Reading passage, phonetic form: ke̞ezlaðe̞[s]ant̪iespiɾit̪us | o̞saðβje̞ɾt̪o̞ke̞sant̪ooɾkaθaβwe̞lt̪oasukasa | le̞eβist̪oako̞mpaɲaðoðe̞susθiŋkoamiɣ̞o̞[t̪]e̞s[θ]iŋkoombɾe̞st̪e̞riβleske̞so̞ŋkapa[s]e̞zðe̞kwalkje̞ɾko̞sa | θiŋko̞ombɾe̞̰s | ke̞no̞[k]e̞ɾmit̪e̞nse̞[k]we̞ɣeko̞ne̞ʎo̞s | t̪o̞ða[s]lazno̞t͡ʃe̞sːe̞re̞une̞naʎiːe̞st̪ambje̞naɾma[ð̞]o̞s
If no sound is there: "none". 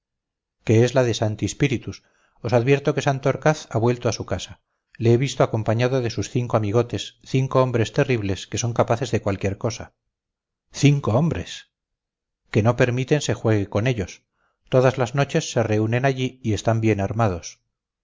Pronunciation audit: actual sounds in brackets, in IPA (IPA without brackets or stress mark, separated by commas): s, t̪, θ, θ, p, x, z, ð̞